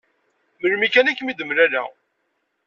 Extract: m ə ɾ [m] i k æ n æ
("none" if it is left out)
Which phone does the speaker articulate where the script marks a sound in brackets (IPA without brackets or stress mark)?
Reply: m